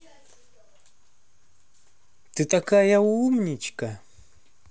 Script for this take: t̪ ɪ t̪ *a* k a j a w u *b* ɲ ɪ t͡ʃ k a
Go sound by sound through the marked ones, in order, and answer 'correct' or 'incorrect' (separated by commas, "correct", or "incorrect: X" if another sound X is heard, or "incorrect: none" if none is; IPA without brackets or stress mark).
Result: correct, incorrect: m